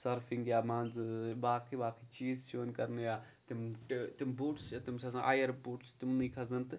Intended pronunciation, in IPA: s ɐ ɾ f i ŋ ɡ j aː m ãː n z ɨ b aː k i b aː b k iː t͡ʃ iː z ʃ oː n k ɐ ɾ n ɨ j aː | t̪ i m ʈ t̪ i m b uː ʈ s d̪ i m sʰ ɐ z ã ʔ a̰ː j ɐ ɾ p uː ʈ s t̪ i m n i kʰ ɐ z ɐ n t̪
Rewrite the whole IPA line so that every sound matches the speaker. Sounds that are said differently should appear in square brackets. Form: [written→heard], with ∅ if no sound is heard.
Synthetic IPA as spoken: s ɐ ɾ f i ŋ ɡ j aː m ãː n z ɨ b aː k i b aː [b→∅] k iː t͡ʃ iː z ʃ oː n k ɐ ɾ n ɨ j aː | t̪ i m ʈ t̪ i m b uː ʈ s [d̪→t̪] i m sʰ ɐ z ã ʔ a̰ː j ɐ ɾ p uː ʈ s t̪ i m n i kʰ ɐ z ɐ n t̪